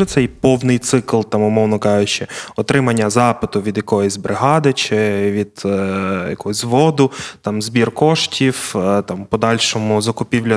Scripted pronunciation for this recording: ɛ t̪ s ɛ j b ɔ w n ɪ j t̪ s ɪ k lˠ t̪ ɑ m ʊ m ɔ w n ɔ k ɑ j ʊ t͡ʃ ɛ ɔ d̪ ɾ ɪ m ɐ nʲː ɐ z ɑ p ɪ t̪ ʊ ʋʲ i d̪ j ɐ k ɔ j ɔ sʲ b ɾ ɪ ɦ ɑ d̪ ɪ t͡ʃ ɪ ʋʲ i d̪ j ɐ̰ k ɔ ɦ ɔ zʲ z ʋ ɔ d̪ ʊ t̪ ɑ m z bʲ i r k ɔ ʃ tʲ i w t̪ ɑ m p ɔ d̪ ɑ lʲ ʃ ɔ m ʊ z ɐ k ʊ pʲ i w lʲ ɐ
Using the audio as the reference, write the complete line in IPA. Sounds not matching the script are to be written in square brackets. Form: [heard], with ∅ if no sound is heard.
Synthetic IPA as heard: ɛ t̪ s ɛ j [p] ɔ w n ɪ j t̪ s ɪ k lˠ t̪ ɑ m ʊ m ɔ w n ɔ k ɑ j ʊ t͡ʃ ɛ ɔ [t̪] ɾ ɪ m ɐ nʲː ɐ z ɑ p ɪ t̪ ʊ ʋʲ i d̪ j ɐ k ɔ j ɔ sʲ b ɾ ɪ ɦ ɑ d̪ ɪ t͡ʃ ɪ ʋʲ i d̪ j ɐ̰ k ɔ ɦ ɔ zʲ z ʋ ɔ d̪ ʊ t̪ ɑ m z bʲ i r k ɔ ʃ tʲ i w t̪ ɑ m p ɔ d̪ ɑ lʲ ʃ ɔ m ʊ z ɐ k ʊ pʲ i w lʲ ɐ